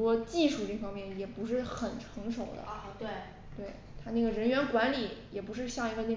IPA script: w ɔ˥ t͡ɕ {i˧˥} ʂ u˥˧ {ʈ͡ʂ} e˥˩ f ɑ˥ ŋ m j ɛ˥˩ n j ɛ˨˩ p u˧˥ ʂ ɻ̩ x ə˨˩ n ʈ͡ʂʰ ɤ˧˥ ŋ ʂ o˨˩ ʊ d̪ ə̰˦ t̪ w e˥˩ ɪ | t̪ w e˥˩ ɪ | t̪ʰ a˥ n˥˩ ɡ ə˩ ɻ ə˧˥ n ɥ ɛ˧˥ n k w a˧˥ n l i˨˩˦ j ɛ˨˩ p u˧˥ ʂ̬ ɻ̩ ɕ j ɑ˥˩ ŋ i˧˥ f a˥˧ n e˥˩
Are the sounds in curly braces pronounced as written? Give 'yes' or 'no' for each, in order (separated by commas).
no, yes